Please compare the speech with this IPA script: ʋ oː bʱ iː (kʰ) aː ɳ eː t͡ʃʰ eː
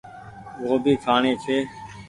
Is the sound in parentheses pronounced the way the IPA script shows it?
yes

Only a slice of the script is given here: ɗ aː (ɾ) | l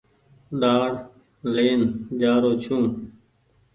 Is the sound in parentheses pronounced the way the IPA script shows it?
no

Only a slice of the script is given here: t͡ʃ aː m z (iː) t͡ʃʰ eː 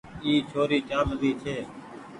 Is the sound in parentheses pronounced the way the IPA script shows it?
yes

